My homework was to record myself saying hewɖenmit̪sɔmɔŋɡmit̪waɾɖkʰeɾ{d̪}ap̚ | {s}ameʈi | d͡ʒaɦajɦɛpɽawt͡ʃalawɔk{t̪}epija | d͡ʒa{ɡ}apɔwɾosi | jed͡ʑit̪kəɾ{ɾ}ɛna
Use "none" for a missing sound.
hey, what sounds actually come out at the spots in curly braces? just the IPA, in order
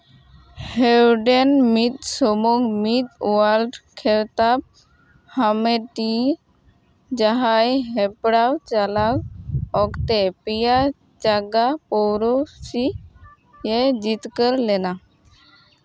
t̪, h, t̪, ɡ, l

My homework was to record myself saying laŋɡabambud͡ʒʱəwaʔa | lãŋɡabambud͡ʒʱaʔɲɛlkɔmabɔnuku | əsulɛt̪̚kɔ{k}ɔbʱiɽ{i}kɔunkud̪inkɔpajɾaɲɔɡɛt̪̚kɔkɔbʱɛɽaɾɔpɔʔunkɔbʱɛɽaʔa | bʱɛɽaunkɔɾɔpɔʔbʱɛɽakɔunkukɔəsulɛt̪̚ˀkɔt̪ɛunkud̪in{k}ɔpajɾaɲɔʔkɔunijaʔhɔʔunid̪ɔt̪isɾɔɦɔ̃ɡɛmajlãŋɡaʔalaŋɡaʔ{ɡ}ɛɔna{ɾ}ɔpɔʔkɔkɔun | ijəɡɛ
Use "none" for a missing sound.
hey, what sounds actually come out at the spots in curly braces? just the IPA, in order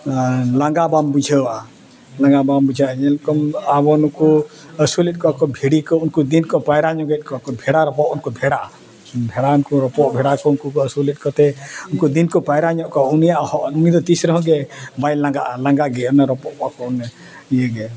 k, i, k, ɡ, ɾ

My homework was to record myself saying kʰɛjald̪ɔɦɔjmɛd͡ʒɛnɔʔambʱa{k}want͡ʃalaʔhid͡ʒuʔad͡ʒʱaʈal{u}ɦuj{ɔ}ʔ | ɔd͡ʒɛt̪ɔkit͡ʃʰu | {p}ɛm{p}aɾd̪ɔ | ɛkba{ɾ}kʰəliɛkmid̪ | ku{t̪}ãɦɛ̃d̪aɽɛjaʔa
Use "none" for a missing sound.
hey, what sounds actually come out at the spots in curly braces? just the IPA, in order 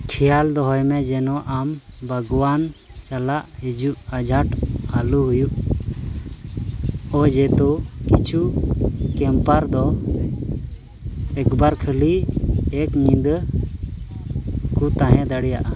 ɡ, u, u, k, p, ɾ, t̪

